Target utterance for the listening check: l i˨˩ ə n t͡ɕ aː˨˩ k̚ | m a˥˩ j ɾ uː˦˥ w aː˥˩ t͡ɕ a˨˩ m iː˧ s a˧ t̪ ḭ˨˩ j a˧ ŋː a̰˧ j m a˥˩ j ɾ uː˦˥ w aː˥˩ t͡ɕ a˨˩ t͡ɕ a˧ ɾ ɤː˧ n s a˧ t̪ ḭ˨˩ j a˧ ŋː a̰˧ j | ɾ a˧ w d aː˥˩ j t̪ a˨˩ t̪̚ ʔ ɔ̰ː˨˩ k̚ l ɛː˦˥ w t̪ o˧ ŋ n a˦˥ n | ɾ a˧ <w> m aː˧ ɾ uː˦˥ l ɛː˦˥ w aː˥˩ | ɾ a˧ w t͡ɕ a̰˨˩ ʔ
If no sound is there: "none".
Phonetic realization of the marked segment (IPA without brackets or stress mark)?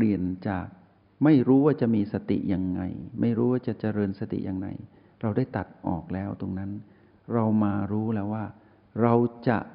w